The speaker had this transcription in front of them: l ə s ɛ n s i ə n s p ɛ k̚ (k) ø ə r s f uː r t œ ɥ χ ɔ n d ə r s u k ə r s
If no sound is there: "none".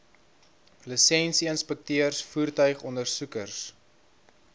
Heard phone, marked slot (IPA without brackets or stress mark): t